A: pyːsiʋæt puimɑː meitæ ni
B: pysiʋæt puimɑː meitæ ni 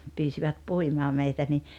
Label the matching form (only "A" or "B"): A